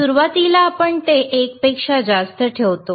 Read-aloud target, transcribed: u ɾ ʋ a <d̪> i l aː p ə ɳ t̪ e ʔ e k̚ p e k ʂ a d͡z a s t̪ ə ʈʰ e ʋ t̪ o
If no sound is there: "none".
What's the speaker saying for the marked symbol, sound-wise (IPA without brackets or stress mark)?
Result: t̪